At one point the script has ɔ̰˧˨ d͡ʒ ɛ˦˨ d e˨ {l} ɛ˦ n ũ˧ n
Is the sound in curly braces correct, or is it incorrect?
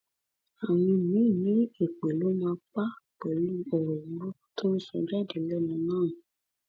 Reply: correct